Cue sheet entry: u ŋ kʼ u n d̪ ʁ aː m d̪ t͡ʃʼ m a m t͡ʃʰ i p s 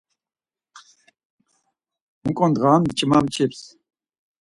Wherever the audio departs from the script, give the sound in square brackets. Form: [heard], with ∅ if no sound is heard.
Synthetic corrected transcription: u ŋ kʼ [ɔ] n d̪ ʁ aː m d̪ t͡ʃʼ m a m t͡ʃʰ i p s